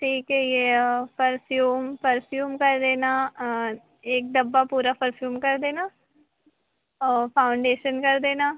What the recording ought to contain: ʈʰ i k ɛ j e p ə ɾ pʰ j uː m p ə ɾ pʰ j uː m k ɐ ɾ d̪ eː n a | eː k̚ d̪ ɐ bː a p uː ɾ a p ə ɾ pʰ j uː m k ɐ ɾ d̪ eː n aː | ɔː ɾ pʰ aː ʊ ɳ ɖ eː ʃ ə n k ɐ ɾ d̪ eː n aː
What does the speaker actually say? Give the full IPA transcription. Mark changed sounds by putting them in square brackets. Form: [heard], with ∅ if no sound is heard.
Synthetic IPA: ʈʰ [iː] k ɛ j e p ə ɾ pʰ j uː m p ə ɾ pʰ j uː m k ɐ ɾ d̪ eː n a | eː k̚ d̪ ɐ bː a p uː ɾ a p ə ɾ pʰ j uː m k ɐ ɾ d̪ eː n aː | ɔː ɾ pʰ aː ʊ ɳ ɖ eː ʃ ə n k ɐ ɾ d̪ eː n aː